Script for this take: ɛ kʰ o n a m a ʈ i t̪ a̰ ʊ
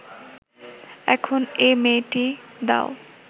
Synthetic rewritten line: ɛ kʰ o n e m e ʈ i d̪ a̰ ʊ